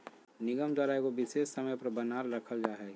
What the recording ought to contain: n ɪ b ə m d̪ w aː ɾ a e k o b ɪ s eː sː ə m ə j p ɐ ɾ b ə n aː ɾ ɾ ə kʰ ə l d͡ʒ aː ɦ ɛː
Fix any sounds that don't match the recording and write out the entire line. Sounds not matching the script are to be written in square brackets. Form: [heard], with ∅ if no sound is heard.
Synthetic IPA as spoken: n ɪ [ɡ] ə m d̪ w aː ɾ a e k o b ɪ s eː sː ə m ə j p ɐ ɾ b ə n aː ɾ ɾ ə kʰ ə l d͡ʒ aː ɦ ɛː